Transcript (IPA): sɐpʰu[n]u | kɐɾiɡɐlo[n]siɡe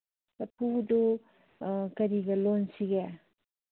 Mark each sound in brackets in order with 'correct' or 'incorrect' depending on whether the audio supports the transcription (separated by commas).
incorrect, correct